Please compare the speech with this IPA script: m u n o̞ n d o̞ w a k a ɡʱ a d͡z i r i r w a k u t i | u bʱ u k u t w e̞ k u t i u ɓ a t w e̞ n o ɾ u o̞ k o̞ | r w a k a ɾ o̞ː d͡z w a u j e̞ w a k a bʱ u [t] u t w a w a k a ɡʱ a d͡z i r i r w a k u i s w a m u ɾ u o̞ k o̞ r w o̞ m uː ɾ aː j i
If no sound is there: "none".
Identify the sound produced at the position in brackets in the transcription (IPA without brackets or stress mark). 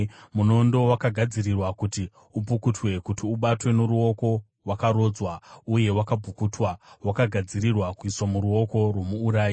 k